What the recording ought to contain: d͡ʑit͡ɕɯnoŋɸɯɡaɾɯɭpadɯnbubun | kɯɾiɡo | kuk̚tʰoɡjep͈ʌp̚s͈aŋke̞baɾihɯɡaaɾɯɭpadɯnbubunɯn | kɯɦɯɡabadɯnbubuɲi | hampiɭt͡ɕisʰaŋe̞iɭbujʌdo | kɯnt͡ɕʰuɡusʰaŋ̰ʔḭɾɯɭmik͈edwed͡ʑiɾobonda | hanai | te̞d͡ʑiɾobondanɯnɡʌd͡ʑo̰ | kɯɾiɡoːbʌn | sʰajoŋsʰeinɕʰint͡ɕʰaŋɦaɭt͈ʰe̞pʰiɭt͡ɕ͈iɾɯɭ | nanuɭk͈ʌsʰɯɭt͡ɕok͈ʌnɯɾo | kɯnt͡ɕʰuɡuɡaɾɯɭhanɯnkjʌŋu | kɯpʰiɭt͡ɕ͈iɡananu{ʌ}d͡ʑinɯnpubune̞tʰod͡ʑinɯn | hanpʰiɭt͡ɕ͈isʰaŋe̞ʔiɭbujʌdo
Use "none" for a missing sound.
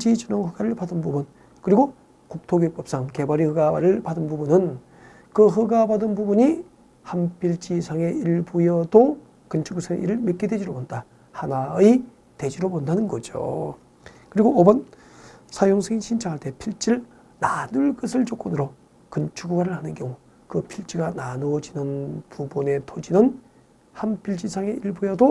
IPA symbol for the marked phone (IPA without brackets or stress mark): ʌ